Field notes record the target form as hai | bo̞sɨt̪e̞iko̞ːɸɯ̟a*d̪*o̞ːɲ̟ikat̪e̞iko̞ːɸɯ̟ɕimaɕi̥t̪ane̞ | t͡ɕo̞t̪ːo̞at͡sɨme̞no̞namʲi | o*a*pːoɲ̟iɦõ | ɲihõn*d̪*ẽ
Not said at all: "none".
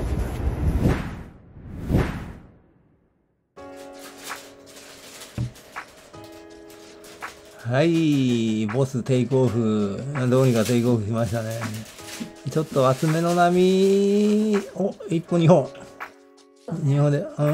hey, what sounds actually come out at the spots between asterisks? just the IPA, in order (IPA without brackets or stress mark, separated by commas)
d̪, i, d̪